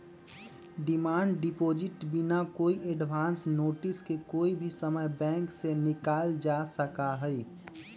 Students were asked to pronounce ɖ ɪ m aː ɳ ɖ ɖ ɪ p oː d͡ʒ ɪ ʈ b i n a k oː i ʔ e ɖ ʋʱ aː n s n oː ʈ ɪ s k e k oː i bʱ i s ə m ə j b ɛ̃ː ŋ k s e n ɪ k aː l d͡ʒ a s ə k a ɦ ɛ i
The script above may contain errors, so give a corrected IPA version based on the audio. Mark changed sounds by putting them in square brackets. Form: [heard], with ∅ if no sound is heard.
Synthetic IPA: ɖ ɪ m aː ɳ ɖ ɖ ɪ p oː d͡ʒ ɪ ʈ b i n a k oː i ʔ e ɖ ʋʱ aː n s n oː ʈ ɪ s k e k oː i bʱ i s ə m ə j b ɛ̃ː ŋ k s e n ɪ k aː l d͡ʒ a s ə k a ɦ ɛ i